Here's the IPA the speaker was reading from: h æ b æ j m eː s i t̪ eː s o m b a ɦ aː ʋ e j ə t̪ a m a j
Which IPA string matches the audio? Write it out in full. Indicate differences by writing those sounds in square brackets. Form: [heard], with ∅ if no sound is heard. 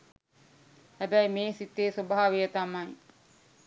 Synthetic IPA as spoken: h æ b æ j m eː s i t̪ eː s o [∅] b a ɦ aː ʋ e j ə t̪ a m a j